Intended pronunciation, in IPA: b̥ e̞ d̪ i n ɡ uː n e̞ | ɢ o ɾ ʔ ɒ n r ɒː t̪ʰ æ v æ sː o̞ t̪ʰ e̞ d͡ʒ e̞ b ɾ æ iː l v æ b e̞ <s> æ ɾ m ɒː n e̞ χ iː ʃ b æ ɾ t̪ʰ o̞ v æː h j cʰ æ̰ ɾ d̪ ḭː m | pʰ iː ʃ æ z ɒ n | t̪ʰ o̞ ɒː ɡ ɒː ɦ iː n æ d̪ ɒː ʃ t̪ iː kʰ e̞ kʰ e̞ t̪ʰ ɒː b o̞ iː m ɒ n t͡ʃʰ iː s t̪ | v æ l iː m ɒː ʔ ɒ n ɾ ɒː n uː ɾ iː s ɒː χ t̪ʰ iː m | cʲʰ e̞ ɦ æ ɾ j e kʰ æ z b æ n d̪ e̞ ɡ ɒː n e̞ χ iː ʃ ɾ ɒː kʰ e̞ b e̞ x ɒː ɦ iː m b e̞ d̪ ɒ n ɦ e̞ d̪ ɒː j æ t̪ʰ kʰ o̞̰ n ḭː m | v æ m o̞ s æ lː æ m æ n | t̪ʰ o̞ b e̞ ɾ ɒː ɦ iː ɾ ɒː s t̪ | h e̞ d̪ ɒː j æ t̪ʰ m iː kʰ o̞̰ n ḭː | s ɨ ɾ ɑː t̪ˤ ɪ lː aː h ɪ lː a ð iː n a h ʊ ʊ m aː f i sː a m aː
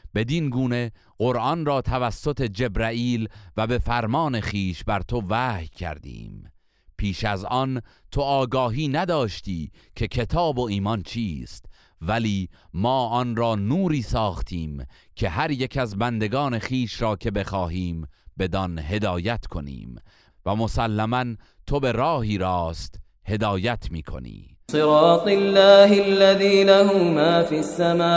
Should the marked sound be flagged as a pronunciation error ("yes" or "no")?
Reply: yes